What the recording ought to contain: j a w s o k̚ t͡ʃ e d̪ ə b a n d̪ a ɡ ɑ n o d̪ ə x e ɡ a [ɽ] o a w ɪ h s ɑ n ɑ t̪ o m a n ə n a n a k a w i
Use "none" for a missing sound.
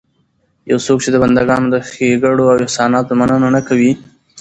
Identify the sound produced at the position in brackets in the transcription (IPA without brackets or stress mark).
ɽ